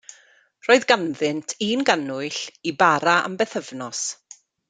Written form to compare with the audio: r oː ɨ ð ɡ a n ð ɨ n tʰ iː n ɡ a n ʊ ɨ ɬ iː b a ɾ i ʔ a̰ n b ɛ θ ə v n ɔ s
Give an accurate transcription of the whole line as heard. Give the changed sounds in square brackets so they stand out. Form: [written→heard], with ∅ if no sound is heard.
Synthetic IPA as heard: r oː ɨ ð ɡ a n ð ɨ n tʰ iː n ɡ a n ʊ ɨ ɬ [iː→i] b a ɾ [i→a] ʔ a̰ [n→m] b ɛ θ ə v n ɔ s

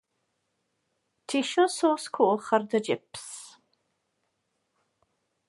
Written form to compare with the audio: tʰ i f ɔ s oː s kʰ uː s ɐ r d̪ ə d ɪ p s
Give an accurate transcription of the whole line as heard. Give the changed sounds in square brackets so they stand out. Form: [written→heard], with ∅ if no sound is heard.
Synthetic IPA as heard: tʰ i [f→ʃ] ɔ s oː s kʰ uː [s→χ] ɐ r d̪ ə [d→d͡ʒ] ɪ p s

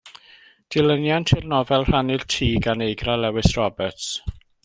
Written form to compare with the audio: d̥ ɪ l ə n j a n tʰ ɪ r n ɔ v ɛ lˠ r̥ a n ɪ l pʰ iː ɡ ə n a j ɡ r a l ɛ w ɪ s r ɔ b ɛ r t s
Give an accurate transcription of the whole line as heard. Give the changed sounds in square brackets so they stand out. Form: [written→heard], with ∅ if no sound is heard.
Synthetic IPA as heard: d̥ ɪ l ə n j a n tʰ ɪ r n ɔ v ɛ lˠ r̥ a n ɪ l [pʰ→tʰ] iː ɡ [ə→a] n [a→e] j ɡ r a l ɛ w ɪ s r ɔ b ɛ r t s

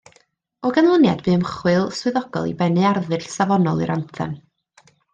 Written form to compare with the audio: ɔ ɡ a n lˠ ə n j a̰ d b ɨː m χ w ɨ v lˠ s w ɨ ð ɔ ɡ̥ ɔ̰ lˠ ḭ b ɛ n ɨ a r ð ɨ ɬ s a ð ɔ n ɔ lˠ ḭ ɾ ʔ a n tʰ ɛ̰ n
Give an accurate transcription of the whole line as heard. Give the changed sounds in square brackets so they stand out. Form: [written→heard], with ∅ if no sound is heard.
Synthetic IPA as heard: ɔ ɡ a n lˠ ə n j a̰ d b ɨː m χ w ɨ [v→∅] lˠ s w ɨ ð ɔ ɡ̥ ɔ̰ lˠ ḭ b ɛ n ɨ a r ð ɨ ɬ s a [ð→v] ɔ n ɔ lˠ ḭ ɾ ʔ a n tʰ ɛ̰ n

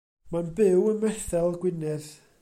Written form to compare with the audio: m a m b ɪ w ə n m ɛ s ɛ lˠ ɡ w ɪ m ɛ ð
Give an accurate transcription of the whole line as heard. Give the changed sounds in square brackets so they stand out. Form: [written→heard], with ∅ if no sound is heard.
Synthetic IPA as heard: m a [m→n] b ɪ w ə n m ɛ [s→θ] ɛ lˠ ɡ w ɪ [m→n] ɛ ð

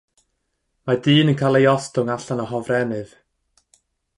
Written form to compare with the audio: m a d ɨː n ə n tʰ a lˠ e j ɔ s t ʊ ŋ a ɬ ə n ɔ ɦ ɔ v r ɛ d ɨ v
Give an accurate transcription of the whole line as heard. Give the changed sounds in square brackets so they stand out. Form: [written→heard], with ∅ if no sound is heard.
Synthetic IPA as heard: m a d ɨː n ə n [tʰ→kʰ] a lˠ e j ɔ s t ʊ ŋ a ɬ [ə→a] n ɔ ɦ ɔ v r ɛ [d→n] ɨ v

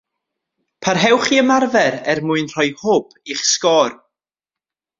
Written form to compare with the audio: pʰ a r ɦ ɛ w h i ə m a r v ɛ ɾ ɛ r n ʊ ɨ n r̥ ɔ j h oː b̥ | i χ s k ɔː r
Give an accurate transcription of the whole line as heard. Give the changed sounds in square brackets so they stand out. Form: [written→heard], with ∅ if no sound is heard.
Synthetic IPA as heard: pʰ a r ɦ ɛ w [h→χ] i ə m a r v ɛ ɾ ɛ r [n→m] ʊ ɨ n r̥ ɔ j h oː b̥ | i χ s k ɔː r

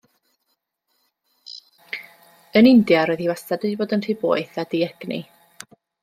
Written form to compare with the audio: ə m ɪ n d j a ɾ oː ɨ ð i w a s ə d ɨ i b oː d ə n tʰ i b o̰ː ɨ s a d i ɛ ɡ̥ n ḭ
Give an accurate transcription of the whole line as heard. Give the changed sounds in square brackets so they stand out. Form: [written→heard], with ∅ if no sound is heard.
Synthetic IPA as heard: ə [m→n] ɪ n d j a ɾ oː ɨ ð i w a s [ə→a] d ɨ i b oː d ə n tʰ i b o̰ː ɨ [s→θ] a d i ɛ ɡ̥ n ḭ

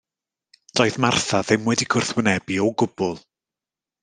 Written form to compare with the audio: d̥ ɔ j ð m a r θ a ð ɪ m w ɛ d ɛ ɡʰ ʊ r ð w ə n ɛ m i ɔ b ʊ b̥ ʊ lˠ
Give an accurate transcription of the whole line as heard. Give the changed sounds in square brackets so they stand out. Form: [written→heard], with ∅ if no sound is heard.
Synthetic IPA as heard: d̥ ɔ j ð m a r θ a ð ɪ m w ɛ d [ɛ→i] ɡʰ ʊ r [ð→θ] w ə n ɛ [m→b] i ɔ [b→ɡ] ʊ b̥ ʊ lˠ

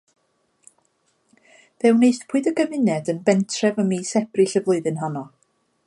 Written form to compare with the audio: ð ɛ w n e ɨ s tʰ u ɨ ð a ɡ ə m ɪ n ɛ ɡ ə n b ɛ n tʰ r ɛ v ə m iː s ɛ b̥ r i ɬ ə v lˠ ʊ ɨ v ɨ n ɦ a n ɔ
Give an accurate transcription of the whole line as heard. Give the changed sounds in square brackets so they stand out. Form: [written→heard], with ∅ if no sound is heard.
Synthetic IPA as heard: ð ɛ w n e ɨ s [tʰ→pʰ] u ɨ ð [a→ə] ɡ ə m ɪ n ɛ [ɡ→d] ə n b ɛ n tʰ r ɛ v ə m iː s ɛ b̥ r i ɬ ə v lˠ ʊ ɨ [v→ð] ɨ n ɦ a n ɔ

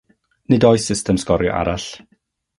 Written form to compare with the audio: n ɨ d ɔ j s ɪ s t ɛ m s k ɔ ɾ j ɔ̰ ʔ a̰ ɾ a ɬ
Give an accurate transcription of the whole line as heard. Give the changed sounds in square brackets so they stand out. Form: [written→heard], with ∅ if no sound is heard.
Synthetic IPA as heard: n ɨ d ɔ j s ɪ s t ɛ m s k ɔ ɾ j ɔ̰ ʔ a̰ ɾ a ɬ

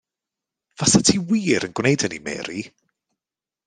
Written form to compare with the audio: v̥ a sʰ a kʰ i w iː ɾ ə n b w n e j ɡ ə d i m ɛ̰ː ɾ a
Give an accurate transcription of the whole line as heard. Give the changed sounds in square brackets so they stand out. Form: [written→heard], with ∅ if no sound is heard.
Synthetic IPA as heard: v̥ a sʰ a [kʰ→tʰ] i w iː ɾ ə n [b→ɡ] w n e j [ɡ→d] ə [d→n] i m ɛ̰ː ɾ [a→i]

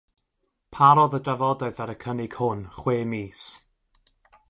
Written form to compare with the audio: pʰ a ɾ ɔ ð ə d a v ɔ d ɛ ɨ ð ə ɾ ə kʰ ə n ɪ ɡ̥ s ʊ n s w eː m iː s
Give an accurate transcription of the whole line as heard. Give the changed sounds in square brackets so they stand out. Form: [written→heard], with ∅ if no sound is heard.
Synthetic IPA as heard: pʰ a ɾ ɔ ð ə d a v ɔ d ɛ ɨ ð [ə→a] ɾ ə kʰ ə n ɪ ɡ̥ [s→h] ʊ n [s→χ] w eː m iː s

